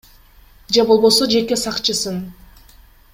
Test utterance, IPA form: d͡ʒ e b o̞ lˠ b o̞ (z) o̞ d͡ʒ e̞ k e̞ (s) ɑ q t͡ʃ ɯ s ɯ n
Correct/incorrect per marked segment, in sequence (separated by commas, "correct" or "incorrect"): incorrect, correct